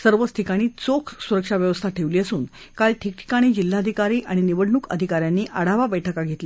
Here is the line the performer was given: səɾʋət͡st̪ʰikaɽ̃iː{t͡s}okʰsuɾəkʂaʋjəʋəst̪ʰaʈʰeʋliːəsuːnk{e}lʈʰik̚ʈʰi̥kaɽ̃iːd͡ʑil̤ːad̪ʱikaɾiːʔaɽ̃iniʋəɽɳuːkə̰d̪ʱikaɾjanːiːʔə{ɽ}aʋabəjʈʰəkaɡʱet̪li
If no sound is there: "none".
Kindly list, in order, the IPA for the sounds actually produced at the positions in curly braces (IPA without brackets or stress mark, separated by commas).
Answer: t͡s, a, ɽ